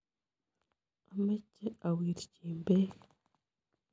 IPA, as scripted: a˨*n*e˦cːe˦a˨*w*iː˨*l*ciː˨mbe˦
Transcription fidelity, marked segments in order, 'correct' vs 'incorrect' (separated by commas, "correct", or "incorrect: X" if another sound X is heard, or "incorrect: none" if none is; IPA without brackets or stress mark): incorrect: m, correct, incorrect: ɾ